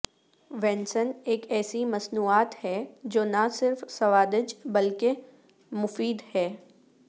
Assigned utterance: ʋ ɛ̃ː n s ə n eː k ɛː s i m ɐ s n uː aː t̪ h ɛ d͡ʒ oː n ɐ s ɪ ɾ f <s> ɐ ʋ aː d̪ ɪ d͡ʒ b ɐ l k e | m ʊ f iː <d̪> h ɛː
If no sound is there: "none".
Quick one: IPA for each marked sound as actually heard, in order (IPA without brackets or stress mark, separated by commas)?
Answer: s, d̪